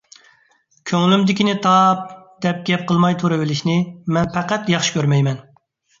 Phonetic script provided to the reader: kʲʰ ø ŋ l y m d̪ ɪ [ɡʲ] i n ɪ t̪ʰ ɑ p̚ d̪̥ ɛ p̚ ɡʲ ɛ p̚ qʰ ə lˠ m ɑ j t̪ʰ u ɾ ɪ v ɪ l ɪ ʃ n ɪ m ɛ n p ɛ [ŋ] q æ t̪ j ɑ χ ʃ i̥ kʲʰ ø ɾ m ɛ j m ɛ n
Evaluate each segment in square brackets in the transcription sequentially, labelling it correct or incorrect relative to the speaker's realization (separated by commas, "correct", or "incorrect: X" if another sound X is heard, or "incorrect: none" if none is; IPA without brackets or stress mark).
incorrect: kʲ, incorrect: none